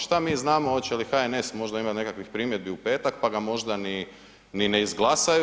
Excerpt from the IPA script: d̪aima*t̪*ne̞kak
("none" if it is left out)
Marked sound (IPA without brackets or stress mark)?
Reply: t̪